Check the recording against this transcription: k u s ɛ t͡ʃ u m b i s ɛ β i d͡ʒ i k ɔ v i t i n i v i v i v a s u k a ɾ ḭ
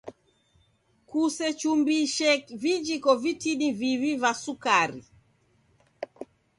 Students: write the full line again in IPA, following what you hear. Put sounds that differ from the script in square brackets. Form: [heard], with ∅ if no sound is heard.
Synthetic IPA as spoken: k u s ɛ t͡ʃ u m b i [ʃ] ɛ [v] i d͡ʒ i k ɔ v i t i n i v i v i v a s u k a ɾ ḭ